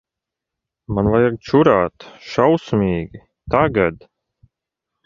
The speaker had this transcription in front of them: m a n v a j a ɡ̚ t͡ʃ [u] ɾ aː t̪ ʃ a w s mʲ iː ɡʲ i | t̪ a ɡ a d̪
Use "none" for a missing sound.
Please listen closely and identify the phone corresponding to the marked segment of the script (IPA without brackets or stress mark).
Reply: u